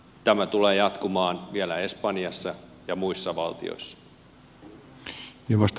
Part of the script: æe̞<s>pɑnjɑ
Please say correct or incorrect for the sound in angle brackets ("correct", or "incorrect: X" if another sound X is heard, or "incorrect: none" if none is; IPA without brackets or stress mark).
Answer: correct